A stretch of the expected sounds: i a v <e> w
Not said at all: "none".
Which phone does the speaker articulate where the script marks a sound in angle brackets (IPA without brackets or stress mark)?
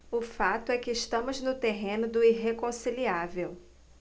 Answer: e